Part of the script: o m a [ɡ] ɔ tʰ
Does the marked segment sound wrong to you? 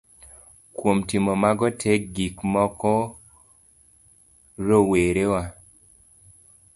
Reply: no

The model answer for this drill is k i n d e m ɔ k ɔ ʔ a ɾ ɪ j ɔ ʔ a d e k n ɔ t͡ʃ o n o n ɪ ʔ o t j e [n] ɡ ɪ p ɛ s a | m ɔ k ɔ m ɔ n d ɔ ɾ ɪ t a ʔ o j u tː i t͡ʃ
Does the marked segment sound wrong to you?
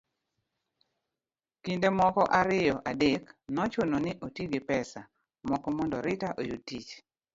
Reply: yes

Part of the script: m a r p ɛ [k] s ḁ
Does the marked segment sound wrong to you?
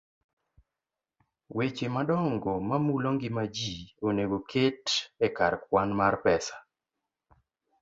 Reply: yes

